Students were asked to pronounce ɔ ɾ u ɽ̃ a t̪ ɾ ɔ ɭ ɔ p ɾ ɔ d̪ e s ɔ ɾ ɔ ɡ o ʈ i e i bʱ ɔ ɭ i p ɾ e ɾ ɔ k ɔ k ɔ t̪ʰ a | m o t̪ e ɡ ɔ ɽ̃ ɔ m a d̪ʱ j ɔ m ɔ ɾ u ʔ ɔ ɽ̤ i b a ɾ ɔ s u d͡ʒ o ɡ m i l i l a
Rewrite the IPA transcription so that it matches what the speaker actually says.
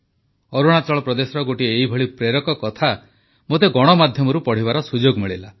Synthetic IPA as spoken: ɔ ɾ u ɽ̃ a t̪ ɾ ɔ ɭ ɔ p ɾ ɔ d̪ e s ɔ ɾ ɔ ɡ o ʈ i e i bʱ ɔ ɭ i p ɾ e ɾ ɔ k ɔ k ɔ t̪ʰ a | m o t̪ e ɡ ɔ ɽ̃ ɔ m a d̪ʱ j ɔ m ɔ ɾ u p ɔ ɽ̤ i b a ɾ ɔ s u d͡ʒ o ɡ m i ɭ i l a

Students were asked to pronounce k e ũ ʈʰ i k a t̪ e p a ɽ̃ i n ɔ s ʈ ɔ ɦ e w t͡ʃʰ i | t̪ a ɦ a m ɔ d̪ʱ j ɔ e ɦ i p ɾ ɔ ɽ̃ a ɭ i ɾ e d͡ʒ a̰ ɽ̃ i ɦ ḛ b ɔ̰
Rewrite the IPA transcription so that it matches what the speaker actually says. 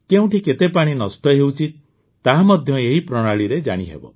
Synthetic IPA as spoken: k e ũ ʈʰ i k e t̪ e p a ɽ̃ i n ɔ s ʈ ɔ ɦ e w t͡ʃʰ i | t̪ a ɦ a m ɔ d̪ʱ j ɔ e ɦ i p ɾ ɔ ɽ̃ a ɭ i ɾ e d͡ʒ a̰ ɽ̃ i ɦ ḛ b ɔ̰

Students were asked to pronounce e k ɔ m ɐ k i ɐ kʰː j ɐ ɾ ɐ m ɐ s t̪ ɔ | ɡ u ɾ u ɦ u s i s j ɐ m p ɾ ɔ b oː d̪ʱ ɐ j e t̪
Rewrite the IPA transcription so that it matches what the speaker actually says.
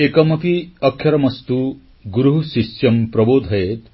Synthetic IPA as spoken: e k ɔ m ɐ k i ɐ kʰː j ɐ ɾ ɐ m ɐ s t̪ u | ɡ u ɾ u ɦ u s i s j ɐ m p ɾ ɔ b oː d̪ʱ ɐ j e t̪

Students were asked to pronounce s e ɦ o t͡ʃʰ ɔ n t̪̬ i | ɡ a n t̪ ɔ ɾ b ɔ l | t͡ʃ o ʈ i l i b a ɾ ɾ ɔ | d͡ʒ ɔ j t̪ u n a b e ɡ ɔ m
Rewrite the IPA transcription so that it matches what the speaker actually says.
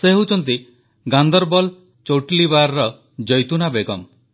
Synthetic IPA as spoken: s e ɦ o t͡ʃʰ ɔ n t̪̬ i | ɡ a n d̪ ɔ ɾ b ɔ l | t͡ʃ o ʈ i l i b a ɾ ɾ ɔ | d͡ʒ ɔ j t̪ u n a b e ɡ ɔ m

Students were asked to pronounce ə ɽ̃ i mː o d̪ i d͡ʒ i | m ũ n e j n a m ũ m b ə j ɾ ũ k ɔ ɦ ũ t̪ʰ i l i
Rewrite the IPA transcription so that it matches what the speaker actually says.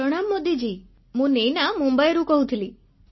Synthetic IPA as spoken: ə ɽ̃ a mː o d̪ i d͡ʒ i | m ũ n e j n a m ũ m b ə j ɾ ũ k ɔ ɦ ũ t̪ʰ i l i

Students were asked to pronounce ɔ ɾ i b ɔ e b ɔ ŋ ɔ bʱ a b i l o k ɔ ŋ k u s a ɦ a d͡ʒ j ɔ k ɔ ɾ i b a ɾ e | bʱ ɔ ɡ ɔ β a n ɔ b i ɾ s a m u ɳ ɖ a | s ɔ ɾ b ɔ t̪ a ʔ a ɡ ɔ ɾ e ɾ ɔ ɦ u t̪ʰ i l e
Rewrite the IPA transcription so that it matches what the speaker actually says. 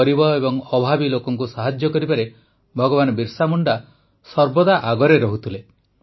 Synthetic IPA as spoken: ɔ ɾ i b ɔ e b ɔ ŋ ɔ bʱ a b i l o k ɔ ŋ k u s a ɦ a d͡ʒ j ɔ k ɔ ɾ i b a ɾ e | bʱ ɔ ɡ ɔ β a n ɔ b i ɾ s a m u ɳ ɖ a | s ɔ ɾ b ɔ d̪ a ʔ a ɡ ɔ ɾ e ɾ ɔ ɦ u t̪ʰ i l e

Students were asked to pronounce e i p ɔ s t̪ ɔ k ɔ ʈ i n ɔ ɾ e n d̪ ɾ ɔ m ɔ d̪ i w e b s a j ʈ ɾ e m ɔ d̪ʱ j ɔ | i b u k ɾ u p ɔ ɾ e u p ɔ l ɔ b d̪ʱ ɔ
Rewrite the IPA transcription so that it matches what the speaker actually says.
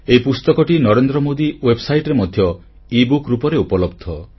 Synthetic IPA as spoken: e i p u s t̪ ɔ k ɔ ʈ i n ɔ ɾ e n d̪ ɾ ɔ m o d̪ i w e b s a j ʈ ɾ e m ɔ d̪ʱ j ɔ | i b u k ɾ u p ɔ ɾ e u p ɔ l ɔ b d̪ʱ ɔ

